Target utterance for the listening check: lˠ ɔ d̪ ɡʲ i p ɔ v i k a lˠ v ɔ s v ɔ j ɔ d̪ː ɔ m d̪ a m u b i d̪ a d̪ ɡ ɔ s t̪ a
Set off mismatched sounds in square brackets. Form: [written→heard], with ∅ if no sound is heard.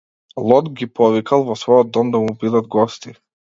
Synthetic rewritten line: lˠ ɔ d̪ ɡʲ i p ɔ v i k a lˠ v ɔ s v ɔ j ɔ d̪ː ɔ m d̪ a m u b i d̪ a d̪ ɡ ɔ s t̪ [a→i]